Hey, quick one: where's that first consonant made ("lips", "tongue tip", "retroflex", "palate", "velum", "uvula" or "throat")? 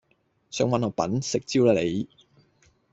tongue tip